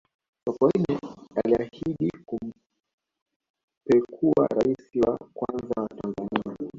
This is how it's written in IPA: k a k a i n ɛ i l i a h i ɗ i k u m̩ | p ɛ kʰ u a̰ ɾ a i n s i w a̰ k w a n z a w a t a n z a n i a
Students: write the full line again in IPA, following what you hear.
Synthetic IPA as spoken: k a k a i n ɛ a l i a h i ɗ i k u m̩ | p ɛ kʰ u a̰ ɾ a i s i w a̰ k w a n z a w a t a n z a n i a